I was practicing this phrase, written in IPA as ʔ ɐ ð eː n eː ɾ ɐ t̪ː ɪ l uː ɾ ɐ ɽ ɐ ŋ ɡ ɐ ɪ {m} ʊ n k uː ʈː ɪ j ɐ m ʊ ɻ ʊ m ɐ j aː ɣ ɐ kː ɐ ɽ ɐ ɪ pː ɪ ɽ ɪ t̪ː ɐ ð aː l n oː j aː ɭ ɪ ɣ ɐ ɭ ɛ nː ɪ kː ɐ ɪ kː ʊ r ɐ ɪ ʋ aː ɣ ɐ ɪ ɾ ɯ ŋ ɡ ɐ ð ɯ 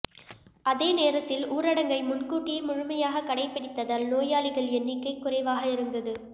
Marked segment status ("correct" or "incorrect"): correct